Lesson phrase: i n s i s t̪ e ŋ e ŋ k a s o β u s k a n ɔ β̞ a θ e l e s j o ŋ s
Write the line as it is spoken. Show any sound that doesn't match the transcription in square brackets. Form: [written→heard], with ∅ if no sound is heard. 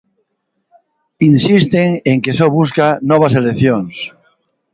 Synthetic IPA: i n s i s t̪ e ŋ e ŋ k [a→e] s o β u s k a n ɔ β̞ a [θ→s] e l e [s→θ] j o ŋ s